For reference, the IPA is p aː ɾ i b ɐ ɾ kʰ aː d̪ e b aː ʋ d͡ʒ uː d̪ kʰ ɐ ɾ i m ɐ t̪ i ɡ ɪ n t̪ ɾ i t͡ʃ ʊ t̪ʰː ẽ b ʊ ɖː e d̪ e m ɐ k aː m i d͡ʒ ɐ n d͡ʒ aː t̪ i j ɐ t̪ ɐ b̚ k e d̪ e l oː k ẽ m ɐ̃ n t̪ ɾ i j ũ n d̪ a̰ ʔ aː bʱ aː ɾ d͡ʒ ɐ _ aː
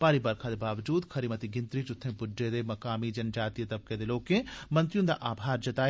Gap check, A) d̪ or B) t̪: B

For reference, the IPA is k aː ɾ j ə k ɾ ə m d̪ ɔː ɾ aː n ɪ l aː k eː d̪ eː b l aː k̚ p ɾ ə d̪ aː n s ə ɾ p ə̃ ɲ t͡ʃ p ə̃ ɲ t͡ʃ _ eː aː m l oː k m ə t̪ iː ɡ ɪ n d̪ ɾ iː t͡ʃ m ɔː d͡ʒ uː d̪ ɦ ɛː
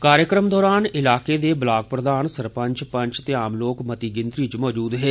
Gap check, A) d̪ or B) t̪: B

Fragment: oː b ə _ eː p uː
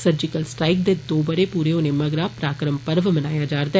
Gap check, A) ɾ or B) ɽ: A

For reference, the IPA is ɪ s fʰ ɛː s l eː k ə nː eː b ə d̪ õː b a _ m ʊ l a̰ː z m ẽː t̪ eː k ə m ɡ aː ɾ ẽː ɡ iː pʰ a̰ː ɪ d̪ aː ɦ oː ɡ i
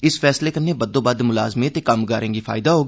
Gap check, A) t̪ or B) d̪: B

